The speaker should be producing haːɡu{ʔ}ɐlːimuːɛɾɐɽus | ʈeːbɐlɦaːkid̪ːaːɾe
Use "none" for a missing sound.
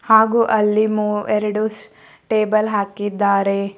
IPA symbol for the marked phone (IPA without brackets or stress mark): ʔ